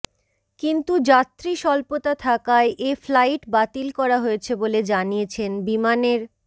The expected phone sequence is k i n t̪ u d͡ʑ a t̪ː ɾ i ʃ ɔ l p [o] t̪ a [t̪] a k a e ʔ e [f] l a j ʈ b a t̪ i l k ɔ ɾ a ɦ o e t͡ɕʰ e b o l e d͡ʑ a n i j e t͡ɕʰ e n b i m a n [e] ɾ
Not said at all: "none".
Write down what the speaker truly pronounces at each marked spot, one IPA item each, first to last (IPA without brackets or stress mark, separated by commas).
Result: o, t̪ʰ, f, e